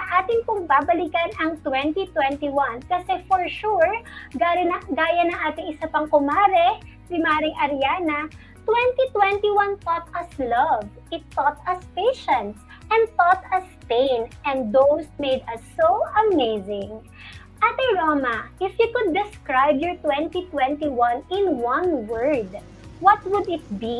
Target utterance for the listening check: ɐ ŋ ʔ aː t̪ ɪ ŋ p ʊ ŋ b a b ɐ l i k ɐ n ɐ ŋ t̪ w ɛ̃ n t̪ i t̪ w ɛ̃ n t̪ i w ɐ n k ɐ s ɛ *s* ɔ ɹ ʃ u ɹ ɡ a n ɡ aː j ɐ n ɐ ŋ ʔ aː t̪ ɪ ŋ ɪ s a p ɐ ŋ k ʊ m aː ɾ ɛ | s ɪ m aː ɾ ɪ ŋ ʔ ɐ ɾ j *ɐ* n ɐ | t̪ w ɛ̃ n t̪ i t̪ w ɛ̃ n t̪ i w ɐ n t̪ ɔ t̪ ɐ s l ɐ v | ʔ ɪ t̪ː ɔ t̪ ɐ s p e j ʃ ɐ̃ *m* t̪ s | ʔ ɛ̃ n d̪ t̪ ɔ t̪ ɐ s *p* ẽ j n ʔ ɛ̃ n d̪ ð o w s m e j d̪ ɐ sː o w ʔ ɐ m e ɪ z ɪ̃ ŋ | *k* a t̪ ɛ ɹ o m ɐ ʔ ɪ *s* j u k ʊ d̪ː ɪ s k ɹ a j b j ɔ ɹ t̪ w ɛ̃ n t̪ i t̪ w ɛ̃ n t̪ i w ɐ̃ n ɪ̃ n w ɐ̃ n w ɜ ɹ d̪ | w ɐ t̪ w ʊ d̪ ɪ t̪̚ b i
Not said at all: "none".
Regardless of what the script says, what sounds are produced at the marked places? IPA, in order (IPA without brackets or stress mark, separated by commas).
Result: f, a, n, p, ʔ, f